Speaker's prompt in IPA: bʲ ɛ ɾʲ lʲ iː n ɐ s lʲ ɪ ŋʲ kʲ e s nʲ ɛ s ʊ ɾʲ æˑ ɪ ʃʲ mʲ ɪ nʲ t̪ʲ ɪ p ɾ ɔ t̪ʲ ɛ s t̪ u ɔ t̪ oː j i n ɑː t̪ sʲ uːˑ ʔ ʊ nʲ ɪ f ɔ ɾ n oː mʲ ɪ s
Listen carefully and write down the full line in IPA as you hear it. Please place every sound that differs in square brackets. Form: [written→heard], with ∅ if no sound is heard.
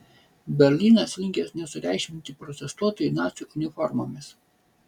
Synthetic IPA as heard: bʲ ɛ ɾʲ lʲ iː n ɐ s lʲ ɪ ŋʲ kʲ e s nʲ ɛ s ʊ ɾʲ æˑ ɪ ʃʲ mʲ ɪ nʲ t̪ʲ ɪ p ɾ ɔ t̪ʲ ɛ s t̪ u ɔ t̪ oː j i n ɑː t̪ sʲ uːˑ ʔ ʊ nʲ ɪ f ɔ ɾ [n→m] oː mʲ ɪ s